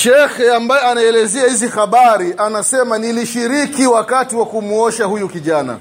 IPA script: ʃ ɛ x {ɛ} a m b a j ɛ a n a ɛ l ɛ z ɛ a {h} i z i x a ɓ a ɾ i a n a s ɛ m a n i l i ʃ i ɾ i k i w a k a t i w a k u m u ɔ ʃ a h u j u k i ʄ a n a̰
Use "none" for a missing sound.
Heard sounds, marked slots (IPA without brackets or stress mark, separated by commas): ɛ, h